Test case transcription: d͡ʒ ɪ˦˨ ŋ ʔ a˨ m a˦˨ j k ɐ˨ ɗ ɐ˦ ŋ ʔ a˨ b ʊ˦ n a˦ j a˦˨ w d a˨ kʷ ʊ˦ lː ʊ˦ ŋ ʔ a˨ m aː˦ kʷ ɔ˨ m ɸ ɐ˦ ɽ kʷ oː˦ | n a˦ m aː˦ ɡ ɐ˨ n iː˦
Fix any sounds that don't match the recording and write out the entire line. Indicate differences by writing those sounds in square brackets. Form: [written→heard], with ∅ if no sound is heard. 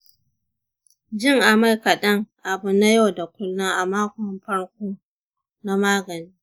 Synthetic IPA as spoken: d͡ʒ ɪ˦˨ ŋ ʔ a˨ m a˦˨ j k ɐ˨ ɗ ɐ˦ ŋ ʔ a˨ b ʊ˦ n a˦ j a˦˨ w d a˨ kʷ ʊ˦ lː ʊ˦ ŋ ʔ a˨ m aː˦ kʷ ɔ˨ m ɸ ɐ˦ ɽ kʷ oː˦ | n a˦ m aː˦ ɡ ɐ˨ n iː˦